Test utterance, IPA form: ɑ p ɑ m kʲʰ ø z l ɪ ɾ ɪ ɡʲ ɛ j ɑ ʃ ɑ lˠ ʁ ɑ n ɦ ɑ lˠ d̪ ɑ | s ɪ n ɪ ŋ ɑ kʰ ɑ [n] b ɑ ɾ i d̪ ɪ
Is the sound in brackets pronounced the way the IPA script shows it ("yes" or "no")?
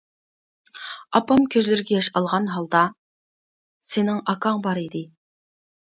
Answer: no